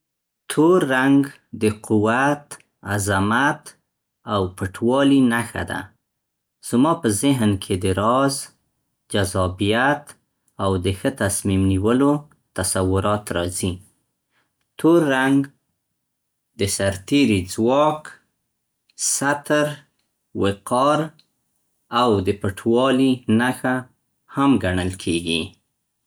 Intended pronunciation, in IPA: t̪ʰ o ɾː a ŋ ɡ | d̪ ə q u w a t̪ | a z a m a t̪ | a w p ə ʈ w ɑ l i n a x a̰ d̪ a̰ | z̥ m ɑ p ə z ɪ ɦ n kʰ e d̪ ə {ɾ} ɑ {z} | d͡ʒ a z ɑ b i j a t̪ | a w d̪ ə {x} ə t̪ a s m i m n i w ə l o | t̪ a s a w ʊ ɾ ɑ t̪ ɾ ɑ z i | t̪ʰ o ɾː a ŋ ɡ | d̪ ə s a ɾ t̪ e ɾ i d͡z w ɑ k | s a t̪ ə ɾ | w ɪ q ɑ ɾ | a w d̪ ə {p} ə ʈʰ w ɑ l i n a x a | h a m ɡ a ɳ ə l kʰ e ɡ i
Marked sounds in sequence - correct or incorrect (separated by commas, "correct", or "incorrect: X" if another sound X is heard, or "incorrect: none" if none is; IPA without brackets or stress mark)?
correct, correct, correct, correct